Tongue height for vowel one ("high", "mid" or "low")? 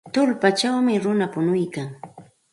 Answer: high